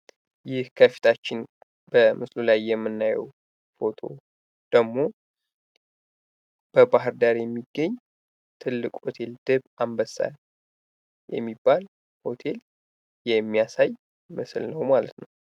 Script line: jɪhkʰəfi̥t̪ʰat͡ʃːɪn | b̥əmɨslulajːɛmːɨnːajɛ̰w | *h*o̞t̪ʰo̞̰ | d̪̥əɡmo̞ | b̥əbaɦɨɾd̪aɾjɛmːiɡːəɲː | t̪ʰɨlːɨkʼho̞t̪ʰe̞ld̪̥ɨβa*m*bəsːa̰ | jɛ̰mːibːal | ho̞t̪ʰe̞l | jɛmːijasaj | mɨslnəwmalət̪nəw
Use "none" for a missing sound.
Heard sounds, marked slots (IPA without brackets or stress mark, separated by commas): f, m